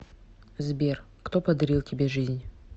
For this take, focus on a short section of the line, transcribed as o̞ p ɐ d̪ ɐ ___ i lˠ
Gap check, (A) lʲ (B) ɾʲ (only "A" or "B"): B